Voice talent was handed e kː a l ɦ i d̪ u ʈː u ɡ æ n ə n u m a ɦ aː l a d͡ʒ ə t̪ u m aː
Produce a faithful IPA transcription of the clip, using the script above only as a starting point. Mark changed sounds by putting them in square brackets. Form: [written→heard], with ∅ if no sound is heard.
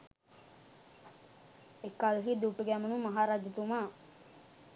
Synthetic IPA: e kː a l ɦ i d̪ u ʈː u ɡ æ [n→m] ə n u m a ɦ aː [l→ɾ] a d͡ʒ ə t̪ u m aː